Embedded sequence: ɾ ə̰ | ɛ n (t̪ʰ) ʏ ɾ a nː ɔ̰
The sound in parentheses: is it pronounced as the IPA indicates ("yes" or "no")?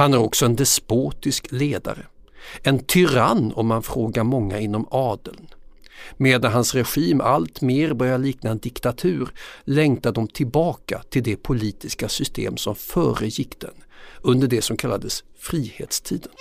yes